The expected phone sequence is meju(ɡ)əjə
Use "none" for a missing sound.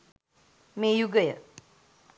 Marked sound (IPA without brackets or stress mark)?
ɡ